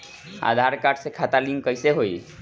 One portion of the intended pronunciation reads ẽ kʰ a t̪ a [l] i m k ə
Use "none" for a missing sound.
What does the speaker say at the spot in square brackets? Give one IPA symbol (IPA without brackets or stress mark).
l